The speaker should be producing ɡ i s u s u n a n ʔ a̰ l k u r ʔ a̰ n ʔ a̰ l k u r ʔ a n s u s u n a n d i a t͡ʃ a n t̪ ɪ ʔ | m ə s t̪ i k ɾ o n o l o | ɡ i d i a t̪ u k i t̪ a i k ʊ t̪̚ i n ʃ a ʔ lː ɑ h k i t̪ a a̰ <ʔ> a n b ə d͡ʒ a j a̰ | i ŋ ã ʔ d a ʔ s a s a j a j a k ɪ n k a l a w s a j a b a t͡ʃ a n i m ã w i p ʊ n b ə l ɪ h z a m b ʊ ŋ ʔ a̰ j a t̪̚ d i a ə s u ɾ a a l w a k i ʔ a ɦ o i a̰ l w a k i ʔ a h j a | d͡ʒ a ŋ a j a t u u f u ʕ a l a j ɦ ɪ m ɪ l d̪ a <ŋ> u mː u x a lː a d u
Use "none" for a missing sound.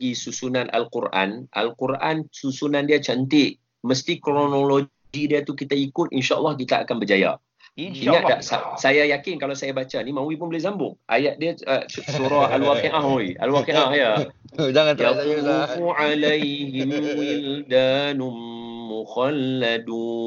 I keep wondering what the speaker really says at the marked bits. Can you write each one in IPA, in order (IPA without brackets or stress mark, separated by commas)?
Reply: k, n